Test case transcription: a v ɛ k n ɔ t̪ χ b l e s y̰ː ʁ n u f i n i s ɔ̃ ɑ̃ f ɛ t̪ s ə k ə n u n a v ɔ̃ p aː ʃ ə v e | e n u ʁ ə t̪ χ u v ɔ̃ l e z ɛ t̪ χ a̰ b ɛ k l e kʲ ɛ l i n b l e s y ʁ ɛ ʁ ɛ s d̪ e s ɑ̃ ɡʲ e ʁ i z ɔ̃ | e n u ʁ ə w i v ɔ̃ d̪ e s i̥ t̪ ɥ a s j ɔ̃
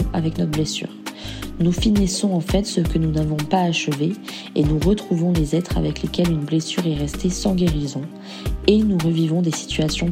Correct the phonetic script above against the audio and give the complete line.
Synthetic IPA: a v ɛ k n ɔ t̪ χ b l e s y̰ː ʁ n u f i n i s ɔ̃ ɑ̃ f ɛ t̪ s ə k ə n u n a v ɔ̃ p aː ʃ ə v e | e n u ʁ ə t̪ χ u v ɔ̃ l e z ɛ t̪ χ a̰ v ɛ k l e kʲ ɛ l y n b l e s y ʁ ɛ ʁ ɛ s t̪ e s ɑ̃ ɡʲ e ʁ i z ɔ̃ | e n u ʁ ə v i v ɔ̃ d̪ e s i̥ t̪ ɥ a s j ɔ̃